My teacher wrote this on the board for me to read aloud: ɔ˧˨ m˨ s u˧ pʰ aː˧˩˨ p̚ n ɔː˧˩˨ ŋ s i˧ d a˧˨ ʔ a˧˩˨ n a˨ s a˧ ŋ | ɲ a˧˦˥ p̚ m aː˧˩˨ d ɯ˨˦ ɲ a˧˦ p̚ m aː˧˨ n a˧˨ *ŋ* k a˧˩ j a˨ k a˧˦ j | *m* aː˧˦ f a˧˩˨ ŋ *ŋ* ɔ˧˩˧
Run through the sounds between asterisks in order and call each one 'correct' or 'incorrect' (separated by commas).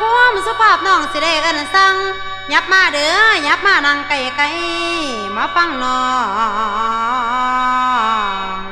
correct, correct, incorrect